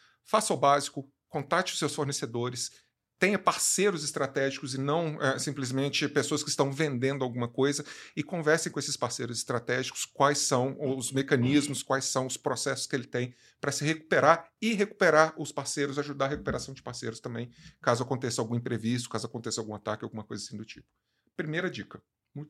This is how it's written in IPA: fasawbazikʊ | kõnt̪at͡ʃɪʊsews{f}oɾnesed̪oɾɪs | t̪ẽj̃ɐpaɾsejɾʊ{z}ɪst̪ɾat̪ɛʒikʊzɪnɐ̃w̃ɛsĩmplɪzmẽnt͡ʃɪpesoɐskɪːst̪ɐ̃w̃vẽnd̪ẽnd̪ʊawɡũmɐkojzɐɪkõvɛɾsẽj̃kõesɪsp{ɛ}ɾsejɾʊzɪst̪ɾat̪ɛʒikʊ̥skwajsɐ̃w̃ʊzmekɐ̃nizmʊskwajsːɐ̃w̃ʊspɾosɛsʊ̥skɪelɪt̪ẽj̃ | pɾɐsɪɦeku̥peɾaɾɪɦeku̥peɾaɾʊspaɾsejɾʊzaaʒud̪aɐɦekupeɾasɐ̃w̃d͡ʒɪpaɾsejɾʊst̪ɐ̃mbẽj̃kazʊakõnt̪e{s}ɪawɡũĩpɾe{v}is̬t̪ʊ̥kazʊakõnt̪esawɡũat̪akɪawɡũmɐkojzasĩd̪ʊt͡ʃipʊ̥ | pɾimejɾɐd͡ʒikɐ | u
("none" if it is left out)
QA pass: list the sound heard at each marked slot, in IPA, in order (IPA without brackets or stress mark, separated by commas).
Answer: f, z, a, s, v